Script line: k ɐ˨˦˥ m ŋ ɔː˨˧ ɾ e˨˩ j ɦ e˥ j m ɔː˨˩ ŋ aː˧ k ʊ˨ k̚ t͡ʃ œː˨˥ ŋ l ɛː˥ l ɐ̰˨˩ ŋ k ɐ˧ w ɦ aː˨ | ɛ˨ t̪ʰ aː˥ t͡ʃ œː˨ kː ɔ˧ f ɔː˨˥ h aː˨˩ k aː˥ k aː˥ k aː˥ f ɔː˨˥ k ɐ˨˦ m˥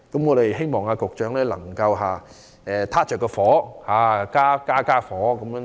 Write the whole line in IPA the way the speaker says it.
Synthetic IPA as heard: k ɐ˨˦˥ m ŋ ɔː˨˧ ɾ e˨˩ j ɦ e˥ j m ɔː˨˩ ŋ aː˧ k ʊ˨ k̚ t͡ʃ œː˨˥ ŋ l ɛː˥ l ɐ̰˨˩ ŋ k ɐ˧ w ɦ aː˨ | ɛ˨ t̪ʰ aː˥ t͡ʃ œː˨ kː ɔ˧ f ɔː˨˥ h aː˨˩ k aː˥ k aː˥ k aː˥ f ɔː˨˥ k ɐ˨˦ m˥